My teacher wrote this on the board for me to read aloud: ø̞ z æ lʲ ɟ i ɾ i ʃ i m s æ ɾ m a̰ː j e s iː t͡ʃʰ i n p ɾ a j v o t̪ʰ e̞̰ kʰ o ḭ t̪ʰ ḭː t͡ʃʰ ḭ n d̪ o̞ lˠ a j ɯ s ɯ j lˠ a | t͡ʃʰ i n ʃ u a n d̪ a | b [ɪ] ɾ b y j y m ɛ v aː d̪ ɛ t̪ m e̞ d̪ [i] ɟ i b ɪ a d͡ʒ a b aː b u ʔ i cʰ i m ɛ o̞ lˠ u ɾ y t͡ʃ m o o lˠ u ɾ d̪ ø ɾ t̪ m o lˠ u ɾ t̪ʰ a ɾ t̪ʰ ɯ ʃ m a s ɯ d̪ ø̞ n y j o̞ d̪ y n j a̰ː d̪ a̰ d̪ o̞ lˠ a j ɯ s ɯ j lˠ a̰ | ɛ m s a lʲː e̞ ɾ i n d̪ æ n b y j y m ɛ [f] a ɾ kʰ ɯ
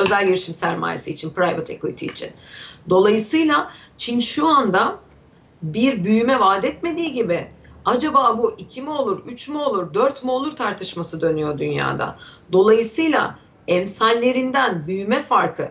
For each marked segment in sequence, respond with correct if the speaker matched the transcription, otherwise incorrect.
incorrect: i, incorrect: iː, correct

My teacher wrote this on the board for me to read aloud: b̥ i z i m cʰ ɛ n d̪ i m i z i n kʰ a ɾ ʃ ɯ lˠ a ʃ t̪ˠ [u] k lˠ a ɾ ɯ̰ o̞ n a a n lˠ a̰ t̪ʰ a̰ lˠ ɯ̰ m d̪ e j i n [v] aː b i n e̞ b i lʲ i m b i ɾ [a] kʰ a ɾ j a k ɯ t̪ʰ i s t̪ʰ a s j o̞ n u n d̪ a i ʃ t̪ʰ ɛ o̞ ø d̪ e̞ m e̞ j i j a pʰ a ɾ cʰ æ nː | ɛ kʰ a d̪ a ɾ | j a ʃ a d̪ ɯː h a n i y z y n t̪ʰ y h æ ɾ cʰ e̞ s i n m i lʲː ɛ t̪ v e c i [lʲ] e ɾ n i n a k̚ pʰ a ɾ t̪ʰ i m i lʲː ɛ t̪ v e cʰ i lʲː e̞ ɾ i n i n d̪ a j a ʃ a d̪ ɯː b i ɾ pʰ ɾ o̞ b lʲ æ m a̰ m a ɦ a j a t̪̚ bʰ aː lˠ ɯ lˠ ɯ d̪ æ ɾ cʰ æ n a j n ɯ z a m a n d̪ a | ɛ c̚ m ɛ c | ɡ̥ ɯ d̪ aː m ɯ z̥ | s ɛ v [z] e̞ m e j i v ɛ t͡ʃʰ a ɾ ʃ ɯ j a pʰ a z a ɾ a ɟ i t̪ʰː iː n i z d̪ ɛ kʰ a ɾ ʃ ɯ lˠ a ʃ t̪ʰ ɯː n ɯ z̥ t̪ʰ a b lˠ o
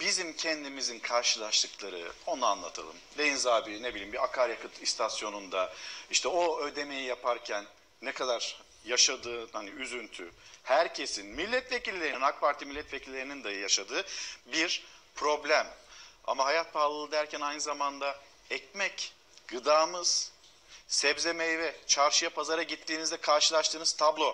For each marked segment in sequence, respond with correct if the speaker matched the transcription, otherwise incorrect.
incorrect: ɯ, incorrect: z, correct, incorrect: lʲː, correct

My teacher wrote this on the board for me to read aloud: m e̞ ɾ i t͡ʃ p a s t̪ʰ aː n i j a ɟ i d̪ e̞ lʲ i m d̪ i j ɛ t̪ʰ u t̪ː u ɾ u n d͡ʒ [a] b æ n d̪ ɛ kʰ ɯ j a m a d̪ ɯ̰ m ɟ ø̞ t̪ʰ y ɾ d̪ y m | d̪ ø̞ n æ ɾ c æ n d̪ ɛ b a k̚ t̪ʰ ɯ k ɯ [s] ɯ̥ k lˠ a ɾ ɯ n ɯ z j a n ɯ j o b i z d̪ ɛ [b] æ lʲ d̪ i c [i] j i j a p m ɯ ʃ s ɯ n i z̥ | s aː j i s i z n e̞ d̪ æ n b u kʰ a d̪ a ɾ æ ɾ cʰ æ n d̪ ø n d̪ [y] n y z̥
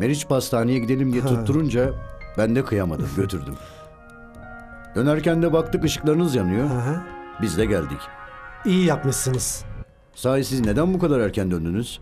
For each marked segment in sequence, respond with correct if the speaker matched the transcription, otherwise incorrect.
correct, incorrect: ʃ, incorrect: ɟ, correct, correct

